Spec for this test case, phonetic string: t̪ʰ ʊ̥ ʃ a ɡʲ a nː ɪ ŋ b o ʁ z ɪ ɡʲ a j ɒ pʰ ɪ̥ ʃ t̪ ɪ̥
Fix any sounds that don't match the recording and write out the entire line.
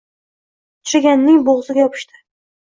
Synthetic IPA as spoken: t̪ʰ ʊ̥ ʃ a ɡʲ a nː ɪ ŋ b o ʁ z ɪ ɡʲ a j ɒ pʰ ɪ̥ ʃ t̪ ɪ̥